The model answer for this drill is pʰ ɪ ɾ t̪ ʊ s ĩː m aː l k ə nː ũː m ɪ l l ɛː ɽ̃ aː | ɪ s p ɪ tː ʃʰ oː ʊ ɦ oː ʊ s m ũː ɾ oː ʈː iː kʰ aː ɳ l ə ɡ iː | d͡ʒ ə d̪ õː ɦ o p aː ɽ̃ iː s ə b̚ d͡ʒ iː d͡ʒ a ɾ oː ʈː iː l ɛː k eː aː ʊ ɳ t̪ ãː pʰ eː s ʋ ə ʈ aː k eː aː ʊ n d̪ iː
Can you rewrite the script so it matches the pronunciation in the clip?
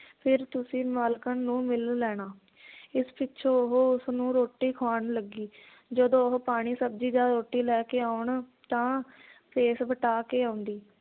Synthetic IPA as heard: pʰ ɪ ɾ t̪ ʊ s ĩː m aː l k ə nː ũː m ɪ l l ɛː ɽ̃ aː | ɪ s p ɪ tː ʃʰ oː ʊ ɦ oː ʊ s n ũː ɾ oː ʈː iː kʰ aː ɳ l ə ɡ iː | d͡ʒ ə d̪ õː ɦ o p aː ɽ̃ iː s ə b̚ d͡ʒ iː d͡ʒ a ɾ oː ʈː iː l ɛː k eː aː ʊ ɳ t̪ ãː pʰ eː s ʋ ə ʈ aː k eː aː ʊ n d̪ iː